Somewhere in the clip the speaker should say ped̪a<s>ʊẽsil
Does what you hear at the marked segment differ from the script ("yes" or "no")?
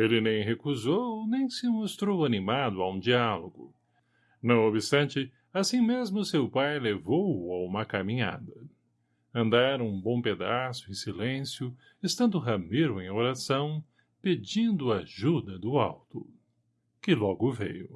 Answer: no